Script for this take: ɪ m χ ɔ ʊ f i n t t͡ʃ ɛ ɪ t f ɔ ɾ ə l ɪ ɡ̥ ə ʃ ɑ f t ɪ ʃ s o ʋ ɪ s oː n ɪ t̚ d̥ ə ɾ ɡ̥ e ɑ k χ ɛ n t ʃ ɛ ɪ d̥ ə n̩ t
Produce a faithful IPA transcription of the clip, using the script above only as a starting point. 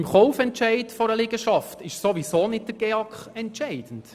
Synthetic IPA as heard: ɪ m χ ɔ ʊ f ɛ n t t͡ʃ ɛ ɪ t f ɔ ɾ ə l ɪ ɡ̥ ə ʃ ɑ f t ɪ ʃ s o ʋ i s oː n ɪ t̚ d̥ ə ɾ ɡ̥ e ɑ k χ ɛ n t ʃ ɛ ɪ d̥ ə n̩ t

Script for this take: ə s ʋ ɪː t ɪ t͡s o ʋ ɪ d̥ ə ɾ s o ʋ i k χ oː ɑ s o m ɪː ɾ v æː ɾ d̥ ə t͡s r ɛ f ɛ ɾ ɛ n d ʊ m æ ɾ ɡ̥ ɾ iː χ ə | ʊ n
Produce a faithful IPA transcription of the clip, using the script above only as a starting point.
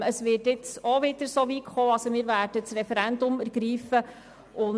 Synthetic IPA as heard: ə s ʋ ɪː t ɪ t͡s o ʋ ɪ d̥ ə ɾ s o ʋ i k χ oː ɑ s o m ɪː ɾ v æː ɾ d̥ ə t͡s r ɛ f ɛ ɾ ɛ n d ʊ m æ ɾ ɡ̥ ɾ iː f ə | ʊ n

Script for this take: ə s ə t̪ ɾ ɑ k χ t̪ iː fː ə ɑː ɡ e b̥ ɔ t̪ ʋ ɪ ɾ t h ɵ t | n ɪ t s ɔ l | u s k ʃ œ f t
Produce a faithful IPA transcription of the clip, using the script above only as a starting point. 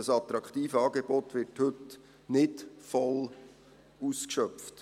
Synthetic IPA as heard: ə s ɑ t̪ ɾ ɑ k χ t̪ iː f ə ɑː ɡ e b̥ ɔ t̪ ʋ ɪ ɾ t h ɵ t | n ɪ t f ɔ l | u s k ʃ œ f t

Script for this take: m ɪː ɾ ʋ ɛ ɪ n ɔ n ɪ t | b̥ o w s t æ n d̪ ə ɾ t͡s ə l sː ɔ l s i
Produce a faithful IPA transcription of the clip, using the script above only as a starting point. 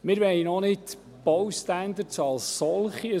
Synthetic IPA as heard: m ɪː ɾ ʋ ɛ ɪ n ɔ n ɪ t | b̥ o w s t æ n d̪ ə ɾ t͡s ɑ l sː ɔ l χ i

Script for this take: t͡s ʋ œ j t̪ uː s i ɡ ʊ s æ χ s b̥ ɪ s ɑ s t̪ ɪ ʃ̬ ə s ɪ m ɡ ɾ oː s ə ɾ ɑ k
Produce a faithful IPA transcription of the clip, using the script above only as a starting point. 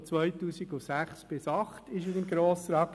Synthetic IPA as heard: t͡s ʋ œ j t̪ uː s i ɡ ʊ s æ χ s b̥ ɪ s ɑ χ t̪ ɪ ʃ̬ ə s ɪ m ɡ ɾ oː s ə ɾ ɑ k

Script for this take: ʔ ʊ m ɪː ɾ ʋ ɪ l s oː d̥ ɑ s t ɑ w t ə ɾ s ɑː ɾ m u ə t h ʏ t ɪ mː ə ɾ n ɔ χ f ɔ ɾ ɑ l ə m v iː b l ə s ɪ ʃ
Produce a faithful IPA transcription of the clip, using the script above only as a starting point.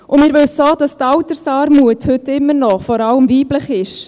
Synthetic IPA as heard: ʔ ʊ m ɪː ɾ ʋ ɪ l s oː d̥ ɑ s t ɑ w t ə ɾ s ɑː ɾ m u ə t h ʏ t ɪ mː ə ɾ n ɔ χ f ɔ ɾ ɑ l ə m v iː b l ə χ ɪ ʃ

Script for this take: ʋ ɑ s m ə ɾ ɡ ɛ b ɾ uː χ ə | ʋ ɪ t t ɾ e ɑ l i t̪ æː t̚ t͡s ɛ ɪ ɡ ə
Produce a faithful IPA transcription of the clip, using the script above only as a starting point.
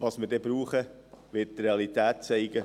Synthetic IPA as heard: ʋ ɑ s m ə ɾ d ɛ b ɾ uː χ ə | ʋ ɪ t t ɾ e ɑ l i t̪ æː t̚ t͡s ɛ ɪ ɡ ə

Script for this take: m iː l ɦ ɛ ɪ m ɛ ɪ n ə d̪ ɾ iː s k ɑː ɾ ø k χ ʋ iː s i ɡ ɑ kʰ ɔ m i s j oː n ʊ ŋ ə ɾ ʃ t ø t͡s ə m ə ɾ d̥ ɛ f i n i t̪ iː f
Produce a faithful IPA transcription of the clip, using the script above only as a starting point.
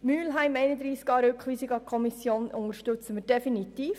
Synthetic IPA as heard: m yː l ɦ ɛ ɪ m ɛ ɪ n ə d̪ ɾ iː s k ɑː ɾ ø k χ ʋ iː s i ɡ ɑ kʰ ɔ m i s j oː n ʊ ŋ ə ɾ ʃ t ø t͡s ə m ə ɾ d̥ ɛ f i n i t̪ iː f

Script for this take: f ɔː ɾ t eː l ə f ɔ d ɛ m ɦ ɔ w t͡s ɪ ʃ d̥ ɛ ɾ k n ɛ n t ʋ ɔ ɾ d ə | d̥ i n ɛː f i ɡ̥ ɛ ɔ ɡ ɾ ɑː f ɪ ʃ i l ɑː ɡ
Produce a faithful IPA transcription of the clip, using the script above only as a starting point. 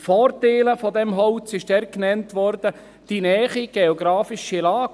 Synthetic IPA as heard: f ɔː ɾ t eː l ə f ɔ d ɛ m ɦ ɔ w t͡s ɪ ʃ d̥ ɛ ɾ k n ɛ n t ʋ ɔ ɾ d ə | d̥ i n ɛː χ i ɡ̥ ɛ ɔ ɡ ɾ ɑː f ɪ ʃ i l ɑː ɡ

